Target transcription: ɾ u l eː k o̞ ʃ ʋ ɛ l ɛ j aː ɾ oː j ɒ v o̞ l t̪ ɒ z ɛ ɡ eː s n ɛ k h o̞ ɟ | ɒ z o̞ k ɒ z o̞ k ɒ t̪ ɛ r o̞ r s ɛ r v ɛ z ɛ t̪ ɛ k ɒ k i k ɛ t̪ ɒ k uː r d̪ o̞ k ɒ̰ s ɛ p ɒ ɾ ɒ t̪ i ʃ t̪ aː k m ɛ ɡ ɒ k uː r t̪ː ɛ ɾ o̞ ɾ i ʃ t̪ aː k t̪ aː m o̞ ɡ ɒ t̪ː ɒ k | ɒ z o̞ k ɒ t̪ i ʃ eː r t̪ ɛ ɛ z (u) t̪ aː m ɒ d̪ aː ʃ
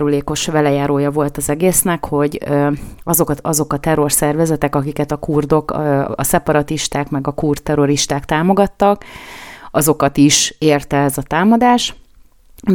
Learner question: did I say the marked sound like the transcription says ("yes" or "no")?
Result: no